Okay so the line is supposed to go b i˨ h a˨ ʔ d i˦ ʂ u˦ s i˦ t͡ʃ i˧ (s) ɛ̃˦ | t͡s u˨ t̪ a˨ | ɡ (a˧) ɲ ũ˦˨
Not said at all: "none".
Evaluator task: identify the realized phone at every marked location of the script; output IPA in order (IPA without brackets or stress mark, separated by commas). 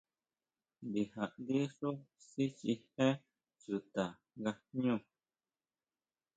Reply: h, a˧